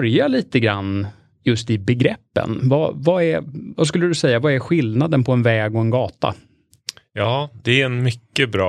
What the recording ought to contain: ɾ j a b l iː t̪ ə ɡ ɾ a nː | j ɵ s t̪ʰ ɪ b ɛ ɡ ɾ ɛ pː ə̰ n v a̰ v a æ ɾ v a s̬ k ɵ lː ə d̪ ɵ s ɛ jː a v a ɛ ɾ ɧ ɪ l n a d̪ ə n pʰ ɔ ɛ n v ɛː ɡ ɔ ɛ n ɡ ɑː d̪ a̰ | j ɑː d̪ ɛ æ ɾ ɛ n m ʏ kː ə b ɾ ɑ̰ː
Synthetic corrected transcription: ɾ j a l iː t̪ ə ɡ ɾ a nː | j ɵ s t̪ ɪ b ɛ ɡ ɾ ɛ pː ə̰ n v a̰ v a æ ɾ v a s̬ k ɵ lː ə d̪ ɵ s ɛ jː a v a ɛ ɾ ɧ ɪ l n a d̪ ə n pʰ ɔ ɛ n v ɛː ɡ ɔ ɛ n ɡ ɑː t̪ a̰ | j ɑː d̪ ɛ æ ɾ ɛ n m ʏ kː ə b ɾ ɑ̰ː